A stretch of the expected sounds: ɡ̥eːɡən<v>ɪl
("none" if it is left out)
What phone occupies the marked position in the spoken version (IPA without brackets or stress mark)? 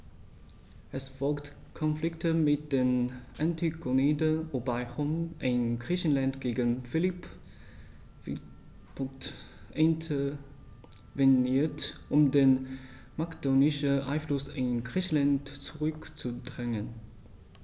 f